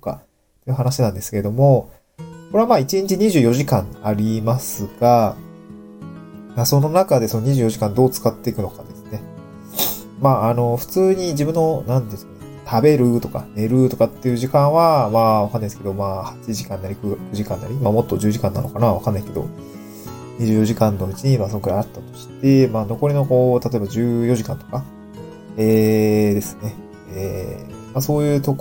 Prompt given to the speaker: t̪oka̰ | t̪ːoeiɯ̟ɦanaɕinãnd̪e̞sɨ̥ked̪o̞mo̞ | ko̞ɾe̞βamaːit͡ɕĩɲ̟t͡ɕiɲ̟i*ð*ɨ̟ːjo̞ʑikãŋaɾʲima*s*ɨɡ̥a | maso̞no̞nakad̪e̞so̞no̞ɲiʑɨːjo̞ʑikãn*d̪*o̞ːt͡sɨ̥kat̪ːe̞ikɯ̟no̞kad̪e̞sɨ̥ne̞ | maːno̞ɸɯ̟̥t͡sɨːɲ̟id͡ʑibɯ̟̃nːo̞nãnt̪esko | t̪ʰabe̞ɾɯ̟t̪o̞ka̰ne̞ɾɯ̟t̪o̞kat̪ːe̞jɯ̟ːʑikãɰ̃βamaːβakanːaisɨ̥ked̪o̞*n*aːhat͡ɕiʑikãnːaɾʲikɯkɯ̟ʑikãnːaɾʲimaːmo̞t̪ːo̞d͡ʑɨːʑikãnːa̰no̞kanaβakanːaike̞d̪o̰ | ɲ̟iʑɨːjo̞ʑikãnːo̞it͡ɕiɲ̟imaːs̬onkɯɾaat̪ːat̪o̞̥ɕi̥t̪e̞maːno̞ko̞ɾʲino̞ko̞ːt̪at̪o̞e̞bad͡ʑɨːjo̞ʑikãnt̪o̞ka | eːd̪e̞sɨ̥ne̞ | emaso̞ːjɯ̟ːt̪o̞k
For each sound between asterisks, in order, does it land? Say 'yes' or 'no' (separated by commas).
no, yes, yes, no